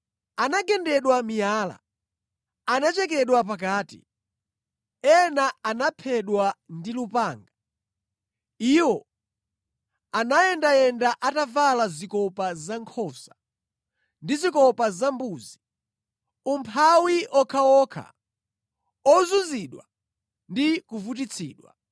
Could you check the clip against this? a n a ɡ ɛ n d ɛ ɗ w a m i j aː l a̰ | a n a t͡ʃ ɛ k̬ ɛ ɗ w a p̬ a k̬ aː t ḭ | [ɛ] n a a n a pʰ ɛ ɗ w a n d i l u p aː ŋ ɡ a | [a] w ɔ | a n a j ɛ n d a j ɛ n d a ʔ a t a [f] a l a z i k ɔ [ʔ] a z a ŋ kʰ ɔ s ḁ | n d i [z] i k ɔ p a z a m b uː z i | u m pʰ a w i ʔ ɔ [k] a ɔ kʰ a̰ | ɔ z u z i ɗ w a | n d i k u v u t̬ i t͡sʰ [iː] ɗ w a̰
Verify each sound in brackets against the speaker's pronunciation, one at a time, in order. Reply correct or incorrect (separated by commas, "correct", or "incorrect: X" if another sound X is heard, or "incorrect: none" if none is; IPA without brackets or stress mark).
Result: correct, incorrect: i, incorrect: v, incorrect: p, correct, incorrect: kʰ, correct